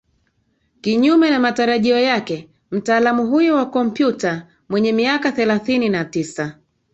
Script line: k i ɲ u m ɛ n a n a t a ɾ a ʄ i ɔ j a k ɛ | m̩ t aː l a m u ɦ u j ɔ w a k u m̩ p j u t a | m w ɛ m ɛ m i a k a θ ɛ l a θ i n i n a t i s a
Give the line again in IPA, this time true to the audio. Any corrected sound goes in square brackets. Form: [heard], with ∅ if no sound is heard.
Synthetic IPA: k i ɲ u m ɛ n a [m] a t a ɾ a ʄ i ɔ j a k ɛ | m̩ t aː l a m u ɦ u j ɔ w a k [ɔ] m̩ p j u t a | m w ɛ [ɲ] ɛ m i a k a θ ɛ l a θ i n i n a t i s a